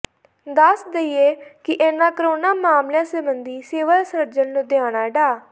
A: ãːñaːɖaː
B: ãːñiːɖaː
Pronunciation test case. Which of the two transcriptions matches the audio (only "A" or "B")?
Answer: A